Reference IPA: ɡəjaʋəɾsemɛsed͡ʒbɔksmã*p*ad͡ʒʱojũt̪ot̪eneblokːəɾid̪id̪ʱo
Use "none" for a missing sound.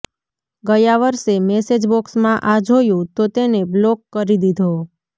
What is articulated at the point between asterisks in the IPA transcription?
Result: ʔ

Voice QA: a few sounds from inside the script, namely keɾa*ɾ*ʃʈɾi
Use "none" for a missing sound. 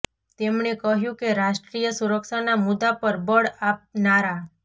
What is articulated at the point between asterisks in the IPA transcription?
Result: none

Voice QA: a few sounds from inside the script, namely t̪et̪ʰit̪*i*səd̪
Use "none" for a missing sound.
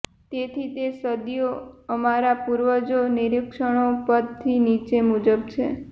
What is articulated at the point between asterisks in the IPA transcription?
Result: e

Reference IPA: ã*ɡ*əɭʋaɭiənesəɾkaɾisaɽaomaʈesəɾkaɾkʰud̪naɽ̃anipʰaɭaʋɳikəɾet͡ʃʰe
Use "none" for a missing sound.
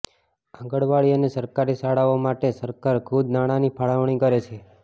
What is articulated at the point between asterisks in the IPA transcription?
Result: ɡ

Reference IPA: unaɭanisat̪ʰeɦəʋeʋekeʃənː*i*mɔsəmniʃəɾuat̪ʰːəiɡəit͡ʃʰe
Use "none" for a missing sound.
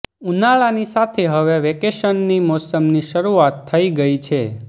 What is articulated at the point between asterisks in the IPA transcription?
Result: i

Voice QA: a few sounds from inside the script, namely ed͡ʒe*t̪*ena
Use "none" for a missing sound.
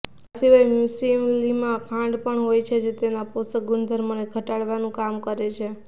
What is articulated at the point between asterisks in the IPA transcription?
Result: t̪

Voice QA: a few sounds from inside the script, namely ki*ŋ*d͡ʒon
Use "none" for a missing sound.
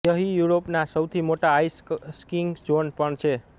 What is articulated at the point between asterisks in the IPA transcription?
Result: ŋ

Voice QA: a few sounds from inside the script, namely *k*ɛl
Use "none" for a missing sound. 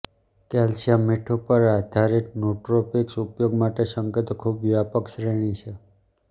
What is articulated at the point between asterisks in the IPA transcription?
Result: k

